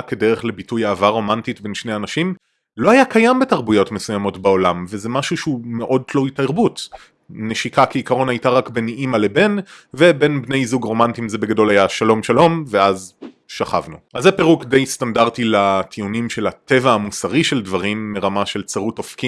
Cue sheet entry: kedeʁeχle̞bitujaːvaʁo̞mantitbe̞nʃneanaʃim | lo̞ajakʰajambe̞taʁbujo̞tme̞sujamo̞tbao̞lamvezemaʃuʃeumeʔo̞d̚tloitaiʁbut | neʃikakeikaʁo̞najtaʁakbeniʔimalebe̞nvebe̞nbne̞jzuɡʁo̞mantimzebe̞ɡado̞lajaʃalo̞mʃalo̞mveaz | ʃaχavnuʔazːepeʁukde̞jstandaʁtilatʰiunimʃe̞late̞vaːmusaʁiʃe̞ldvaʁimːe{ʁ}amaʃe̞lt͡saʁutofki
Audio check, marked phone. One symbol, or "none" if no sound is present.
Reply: ʁ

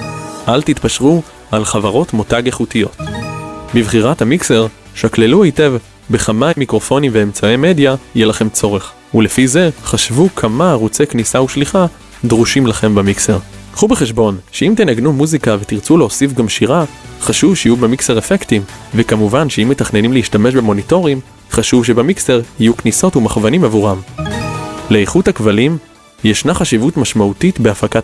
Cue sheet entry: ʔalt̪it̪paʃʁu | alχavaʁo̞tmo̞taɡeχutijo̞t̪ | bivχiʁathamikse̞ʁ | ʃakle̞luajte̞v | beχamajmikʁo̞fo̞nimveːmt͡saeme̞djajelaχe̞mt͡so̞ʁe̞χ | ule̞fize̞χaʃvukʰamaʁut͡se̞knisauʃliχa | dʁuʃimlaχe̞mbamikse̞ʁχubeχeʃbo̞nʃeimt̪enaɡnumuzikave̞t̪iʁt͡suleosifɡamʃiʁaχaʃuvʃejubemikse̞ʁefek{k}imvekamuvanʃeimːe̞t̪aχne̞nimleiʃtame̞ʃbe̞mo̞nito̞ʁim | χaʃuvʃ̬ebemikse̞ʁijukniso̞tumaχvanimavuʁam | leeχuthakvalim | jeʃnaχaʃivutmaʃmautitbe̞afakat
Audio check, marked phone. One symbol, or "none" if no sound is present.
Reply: t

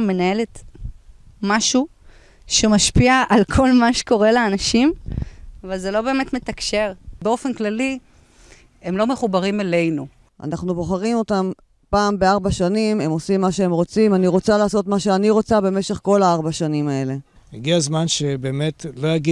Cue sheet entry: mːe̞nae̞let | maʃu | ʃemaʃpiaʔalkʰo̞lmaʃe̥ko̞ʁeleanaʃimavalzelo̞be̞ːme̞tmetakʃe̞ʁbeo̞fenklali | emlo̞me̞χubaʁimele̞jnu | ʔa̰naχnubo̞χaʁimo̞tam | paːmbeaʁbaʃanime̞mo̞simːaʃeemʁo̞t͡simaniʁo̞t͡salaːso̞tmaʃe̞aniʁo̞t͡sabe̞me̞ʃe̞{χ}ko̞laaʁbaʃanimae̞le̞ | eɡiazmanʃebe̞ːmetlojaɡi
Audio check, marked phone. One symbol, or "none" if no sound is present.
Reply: χ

